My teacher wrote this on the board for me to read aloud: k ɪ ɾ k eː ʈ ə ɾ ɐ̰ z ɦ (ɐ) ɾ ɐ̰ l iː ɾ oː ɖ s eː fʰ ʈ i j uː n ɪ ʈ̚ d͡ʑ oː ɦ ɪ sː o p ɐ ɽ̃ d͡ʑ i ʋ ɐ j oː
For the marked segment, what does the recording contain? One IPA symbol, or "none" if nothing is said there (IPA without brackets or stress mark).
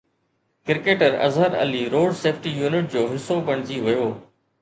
ə